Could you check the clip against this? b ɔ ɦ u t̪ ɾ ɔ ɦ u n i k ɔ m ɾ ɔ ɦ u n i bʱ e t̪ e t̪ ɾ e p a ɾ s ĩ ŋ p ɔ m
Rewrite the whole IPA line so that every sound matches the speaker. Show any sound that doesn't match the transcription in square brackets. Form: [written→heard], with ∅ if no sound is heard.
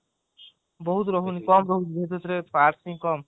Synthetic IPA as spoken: b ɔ ɦ u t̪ ɾ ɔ ɦ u n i k ɔ m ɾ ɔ ɦ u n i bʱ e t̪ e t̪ ɾ e p a ɾ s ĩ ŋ [p→k] ɔ m

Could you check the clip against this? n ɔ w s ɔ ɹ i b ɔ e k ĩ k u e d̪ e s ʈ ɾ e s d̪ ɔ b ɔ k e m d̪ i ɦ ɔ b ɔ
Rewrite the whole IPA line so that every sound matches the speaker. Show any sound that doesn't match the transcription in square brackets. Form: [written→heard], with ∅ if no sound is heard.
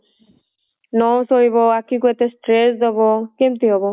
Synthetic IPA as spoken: n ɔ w s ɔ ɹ i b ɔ [e→a] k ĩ k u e [d̪→t̪] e s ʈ ɾ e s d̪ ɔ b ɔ k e m [d̪→t̪] i ɦ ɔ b ɔ

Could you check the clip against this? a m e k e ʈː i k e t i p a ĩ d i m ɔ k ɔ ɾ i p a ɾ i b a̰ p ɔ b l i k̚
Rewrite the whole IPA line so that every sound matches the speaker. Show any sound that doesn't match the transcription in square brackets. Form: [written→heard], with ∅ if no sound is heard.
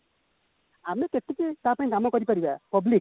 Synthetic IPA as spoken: a m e k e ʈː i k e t [i→a] p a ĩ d [i→a] m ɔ k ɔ ɾ i p a ɾ i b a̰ p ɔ b l i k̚

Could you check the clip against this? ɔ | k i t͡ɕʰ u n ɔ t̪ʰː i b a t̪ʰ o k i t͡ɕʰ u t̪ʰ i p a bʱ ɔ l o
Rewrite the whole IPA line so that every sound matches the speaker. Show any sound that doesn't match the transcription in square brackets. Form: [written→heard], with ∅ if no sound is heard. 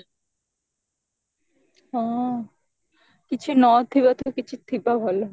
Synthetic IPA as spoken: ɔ | k i t͡ɕʰ u n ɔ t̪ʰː i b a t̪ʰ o k i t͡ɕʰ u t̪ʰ i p a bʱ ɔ l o

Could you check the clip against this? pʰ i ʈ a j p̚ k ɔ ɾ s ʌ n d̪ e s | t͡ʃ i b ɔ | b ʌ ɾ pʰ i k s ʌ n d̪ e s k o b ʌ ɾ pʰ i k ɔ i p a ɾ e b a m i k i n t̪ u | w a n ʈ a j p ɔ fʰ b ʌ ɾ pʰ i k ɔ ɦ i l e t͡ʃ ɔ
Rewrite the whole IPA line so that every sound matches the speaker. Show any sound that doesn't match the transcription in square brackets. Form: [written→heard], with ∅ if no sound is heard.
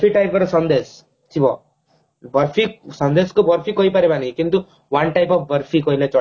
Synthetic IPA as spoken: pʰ i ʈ a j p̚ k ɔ ɾ s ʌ n d̪ e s | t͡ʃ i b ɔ | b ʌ ɾ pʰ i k s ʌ n d̪ e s k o b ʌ ɾ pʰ i k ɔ i p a ɾ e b a [m→n] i k i n t̪ u | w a n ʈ a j p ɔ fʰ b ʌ ɾ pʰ i k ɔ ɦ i l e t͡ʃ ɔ

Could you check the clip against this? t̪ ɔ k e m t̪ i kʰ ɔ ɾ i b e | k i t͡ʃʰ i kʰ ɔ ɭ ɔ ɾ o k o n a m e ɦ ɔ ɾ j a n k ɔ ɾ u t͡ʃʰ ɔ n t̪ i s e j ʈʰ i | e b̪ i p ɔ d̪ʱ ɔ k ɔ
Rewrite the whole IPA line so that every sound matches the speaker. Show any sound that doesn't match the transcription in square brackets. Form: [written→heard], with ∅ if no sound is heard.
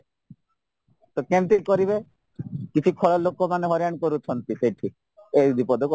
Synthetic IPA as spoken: t̪ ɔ k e m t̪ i [kʰ→k] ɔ ɾ i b e | k i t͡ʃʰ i kʰ ɔ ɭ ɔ [ɾ→l] o k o [n→m] a [m→n] e ɦ ɔ ɾ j a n k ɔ ɾ u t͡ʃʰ ɔ n t̪ i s e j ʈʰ i | e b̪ i p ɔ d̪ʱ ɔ k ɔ

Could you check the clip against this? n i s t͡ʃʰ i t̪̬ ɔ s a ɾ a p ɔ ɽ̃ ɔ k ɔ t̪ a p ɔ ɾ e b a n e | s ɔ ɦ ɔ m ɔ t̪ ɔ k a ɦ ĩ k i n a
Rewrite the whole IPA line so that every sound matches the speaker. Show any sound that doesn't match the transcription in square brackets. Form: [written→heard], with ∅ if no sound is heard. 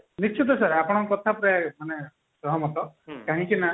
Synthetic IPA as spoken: n i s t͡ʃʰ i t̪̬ ɔ s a ɾ a p ɔ ɽ̃ ɔ k ɔ [t̪→t̪ʰ] a p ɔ ɾ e [b→m] a n e | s ɔ ɦ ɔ m ɔ t̪ ɔ k a ɦ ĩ k i n a

